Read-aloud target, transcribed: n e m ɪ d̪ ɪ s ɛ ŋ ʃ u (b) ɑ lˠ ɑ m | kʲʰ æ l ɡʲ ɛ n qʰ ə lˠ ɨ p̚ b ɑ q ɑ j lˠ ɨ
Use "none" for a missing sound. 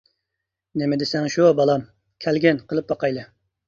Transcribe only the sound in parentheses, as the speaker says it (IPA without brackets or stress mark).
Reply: b